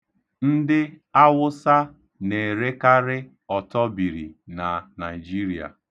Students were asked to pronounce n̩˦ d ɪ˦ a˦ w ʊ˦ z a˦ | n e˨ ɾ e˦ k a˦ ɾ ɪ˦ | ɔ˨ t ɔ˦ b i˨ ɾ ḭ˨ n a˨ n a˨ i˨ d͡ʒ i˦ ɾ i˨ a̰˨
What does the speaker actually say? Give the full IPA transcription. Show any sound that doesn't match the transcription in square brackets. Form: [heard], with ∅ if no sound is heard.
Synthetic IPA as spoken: n̩˦ d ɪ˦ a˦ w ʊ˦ [s] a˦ | n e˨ ɾ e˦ k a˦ ɾ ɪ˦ | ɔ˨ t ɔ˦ b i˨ ɾ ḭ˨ n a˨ n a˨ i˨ d͡ʒ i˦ ɾ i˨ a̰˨